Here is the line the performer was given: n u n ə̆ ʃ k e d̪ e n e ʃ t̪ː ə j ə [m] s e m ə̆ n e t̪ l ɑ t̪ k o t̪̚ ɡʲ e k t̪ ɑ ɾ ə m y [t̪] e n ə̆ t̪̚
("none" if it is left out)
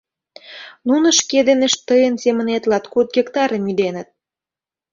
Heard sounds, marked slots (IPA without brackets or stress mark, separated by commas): n, d̪